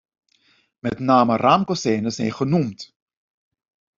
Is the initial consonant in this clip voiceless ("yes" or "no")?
no